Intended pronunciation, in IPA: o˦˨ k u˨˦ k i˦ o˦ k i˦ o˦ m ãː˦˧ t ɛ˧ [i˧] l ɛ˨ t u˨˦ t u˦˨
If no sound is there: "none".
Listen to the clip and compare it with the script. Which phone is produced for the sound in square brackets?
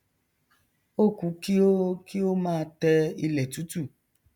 i˧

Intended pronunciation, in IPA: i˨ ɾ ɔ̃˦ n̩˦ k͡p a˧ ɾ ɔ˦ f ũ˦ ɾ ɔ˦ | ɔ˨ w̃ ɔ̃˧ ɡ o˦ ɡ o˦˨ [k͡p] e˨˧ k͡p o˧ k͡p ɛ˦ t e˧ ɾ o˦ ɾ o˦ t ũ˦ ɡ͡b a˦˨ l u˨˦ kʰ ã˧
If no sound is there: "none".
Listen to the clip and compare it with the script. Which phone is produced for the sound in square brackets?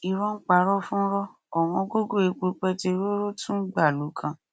none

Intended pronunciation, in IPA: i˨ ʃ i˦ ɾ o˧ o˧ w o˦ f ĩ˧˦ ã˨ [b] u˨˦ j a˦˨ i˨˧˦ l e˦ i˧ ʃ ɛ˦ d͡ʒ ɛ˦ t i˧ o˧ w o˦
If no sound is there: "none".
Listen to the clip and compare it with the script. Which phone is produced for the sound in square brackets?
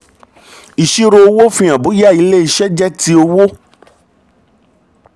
b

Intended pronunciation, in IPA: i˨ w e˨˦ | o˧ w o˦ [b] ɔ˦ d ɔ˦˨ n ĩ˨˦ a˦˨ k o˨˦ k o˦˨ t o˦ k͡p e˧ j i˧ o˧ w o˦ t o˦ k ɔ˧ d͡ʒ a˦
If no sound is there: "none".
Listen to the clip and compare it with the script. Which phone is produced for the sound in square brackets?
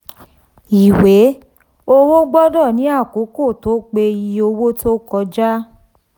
ɡ͡b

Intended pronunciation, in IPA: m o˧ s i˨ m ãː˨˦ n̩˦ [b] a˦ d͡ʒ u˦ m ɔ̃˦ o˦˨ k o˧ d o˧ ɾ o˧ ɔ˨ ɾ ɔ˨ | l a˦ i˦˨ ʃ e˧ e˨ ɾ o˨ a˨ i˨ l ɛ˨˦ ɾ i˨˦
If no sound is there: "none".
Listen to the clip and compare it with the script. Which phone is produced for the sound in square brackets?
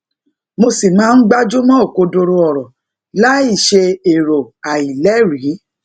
ɡ͡b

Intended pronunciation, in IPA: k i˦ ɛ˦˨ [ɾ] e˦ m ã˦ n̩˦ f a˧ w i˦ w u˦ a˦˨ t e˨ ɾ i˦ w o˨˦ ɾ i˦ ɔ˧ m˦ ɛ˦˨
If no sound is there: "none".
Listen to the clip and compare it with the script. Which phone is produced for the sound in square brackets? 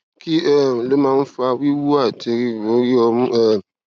l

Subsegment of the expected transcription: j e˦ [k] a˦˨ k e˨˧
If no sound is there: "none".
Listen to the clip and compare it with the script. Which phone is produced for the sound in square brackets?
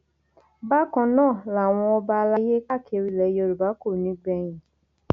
k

